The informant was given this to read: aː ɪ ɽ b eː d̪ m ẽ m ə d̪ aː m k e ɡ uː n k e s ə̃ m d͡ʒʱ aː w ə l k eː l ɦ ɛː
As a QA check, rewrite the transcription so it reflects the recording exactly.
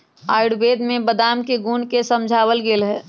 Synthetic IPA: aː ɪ ɽ b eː d̪ m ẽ b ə d̪ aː m k e ɡ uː n k e s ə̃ m d͡ʒʱ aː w ə l ɡ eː l ɦ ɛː